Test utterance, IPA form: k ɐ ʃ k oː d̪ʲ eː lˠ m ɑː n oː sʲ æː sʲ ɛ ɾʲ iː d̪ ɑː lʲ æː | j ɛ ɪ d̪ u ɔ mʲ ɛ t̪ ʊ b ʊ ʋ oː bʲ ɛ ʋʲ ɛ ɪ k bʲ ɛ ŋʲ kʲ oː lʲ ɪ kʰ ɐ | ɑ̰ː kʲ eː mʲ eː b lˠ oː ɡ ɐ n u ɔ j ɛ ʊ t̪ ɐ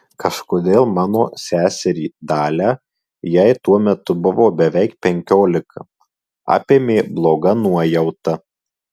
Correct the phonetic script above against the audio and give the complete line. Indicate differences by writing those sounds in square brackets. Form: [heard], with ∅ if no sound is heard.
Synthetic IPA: k ɐ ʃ k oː d̪ʲ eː lˠ m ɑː n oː sʲ æː sʲ ɛ ɾʲ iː d̪ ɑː lʲ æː | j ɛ ɪ [t̪] u ɔ mʲ ɛ t̪ ʊ b ʊ ʋ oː bʲ ɛ ʋʲ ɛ ɪ k [pʲ] ɛ ŋʲ kʲ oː lʲ ɪ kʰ ɐ | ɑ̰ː [pʲ] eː mʲ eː b lˠ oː ɡ ɐ n u ɔ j ɛ ʊ t̪ ɐ

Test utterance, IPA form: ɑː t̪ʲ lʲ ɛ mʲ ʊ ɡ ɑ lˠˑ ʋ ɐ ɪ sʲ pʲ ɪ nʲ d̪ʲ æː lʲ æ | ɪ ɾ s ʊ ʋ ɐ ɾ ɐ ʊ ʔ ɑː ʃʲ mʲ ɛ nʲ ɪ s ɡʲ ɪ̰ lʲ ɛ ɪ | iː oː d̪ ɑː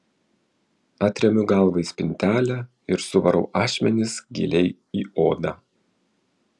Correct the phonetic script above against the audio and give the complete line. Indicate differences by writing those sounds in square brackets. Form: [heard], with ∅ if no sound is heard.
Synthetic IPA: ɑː t̪ʲ [ɾʲ] ɛ mʲ ʊ ɡ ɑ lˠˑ ʋ ɐ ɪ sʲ pʲ ɪ nʲ [t̪ʲ] æː lʲ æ | ɪ ɾ s ʊ ʋ ɐ ɾ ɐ ʊ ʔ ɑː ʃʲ mʲ ɛ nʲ ɪ s ɡʲ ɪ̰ lʲ ɛ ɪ | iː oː d̪ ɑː

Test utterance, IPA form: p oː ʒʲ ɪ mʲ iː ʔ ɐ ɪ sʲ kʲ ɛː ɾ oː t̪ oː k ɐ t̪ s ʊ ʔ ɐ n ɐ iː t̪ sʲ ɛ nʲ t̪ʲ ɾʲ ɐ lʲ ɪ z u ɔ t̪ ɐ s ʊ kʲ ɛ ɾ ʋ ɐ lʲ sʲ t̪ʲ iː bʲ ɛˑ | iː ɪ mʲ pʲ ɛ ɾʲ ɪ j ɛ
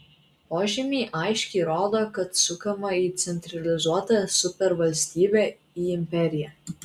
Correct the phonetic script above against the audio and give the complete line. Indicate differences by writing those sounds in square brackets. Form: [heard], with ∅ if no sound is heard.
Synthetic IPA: p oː ʒʲ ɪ mʲ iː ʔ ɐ ɪ [ʃʲ] kʲ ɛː ɾ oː [d̪] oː k ɐ t̪ s ʊ [k] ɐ [m] ɐ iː t̪ sʲ ɛ nʲ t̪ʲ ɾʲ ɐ lʲ ɪ z u ɔ t̪ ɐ s ʊ [pʲ] ɛ ɾ ʋ ɐ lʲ sʲ t̪ʲ iː bʲ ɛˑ | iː ɪ mʲ pʲ ɛ ɾʲ ɪ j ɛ

